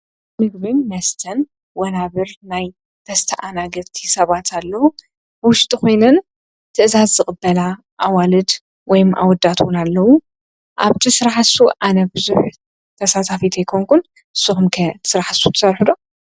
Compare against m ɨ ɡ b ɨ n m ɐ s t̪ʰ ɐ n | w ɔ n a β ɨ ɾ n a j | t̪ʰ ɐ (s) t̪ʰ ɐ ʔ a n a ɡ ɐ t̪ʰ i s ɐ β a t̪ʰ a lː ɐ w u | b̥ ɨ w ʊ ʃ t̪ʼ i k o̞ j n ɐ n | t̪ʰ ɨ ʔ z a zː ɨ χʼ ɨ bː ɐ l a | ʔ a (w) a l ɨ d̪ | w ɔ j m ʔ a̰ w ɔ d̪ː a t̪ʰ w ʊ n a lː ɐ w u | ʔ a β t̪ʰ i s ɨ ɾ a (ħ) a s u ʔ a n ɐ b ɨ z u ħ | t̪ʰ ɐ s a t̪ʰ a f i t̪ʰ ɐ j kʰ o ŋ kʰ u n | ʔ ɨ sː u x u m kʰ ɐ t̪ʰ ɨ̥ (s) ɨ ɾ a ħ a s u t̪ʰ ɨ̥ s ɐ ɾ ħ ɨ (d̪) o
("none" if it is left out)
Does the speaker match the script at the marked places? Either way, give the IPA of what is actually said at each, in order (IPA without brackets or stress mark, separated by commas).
s, w, ħ, s, d̪